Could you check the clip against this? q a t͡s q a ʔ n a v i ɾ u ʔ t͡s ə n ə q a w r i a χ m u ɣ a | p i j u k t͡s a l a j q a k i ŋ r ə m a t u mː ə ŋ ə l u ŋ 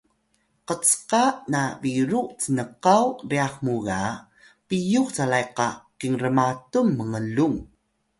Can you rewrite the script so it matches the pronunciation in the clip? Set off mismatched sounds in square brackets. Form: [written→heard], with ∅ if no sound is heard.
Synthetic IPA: q [a→ə] t͡s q a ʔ n a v i ɾ u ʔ t͡s ə n ə q a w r i a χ m u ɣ a | p i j u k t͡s a l a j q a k i ŋ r ə m a t u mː ə ŋ ə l u ŋ